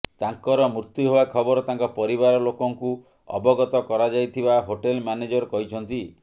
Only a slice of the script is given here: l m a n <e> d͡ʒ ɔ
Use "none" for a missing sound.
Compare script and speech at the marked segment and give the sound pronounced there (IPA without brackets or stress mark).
e